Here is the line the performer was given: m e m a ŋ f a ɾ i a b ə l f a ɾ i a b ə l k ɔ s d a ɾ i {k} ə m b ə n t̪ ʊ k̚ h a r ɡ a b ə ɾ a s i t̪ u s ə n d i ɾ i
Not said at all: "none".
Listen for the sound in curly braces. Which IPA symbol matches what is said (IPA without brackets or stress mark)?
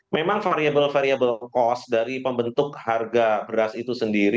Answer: p